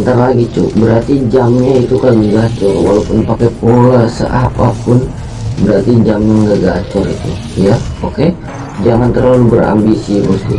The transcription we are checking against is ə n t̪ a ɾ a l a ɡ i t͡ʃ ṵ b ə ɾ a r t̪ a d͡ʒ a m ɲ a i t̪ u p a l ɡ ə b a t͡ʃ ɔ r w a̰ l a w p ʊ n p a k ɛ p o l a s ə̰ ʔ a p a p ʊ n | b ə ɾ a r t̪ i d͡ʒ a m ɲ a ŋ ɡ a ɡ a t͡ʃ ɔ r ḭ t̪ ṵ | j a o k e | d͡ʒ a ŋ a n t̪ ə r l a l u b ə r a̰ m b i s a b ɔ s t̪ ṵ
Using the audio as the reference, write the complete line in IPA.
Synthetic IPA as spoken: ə n t̪ a ɾ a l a ɡ i t͡ʃ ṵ b ə ɾ a r t̪ i d͡ʒ a m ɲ a i t̪ u k a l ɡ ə ɡ a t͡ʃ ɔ r w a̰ l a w p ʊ n p a k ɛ p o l a s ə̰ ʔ a p a p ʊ n | b ə ɾ a r t̪ i d͡ʒ a m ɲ a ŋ ɡ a ɡ a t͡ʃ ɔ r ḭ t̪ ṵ | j a o k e | d͡ʒ a ŋ a n t̪ ə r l a l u b ə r a̰ m b i s i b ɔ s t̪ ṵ